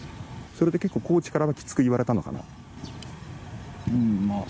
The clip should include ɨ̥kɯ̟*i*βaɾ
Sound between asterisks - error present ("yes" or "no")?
no